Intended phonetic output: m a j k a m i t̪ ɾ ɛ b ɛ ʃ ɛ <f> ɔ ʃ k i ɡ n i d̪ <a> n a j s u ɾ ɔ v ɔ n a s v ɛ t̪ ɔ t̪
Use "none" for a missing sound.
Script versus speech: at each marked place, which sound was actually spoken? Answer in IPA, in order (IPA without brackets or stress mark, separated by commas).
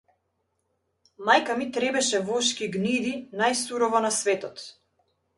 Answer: v, i